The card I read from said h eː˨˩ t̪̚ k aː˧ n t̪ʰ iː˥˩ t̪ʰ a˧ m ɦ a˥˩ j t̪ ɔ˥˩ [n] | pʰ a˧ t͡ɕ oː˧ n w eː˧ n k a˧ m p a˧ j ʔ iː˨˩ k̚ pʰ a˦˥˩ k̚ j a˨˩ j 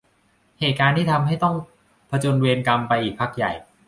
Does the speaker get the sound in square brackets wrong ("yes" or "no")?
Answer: yes